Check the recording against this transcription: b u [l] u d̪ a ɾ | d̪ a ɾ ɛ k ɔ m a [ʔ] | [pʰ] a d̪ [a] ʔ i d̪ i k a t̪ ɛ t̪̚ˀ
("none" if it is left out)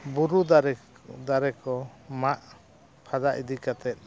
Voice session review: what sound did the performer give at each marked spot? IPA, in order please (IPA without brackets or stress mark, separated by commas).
ɾ, ʔ, pʰ, a